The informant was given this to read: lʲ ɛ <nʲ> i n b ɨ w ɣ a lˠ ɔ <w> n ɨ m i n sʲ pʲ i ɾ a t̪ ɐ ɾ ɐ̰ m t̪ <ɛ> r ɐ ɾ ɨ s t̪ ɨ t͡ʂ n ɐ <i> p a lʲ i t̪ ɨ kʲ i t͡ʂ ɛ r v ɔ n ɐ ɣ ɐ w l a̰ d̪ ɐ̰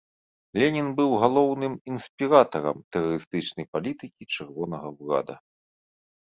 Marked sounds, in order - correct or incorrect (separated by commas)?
correct, correct, correct, incorrect